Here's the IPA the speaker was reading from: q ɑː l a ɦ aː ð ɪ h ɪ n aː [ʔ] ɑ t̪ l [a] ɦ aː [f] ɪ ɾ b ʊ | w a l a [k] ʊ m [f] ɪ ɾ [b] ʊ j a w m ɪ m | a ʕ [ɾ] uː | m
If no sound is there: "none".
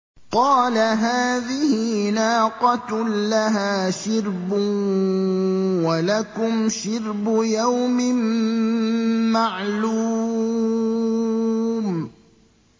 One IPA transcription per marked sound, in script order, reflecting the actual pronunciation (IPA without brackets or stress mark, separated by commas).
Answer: q, a, ʃ, k, ʃ, b, l